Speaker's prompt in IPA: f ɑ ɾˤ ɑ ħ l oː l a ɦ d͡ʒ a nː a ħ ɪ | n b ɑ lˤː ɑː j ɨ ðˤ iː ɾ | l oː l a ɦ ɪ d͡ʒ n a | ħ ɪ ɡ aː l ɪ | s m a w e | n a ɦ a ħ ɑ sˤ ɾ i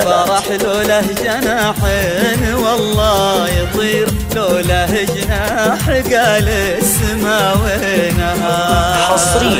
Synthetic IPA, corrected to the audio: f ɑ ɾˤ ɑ ħ l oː l a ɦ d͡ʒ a n a ħ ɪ | n w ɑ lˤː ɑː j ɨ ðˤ iː ɾ | l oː l a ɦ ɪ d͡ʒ n a | ħ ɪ ɡ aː l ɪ | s m a w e | n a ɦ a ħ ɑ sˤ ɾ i